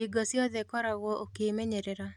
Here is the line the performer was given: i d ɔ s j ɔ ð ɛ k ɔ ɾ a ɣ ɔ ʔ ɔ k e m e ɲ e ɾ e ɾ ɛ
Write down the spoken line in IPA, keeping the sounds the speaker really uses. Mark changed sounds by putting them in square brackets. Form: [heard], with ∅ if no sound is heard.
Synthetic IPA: i [ɡ] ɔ s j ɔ ð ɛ k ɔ ɾ a ɣ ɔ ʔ [o] k e m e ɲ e ɾ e ɾ [a]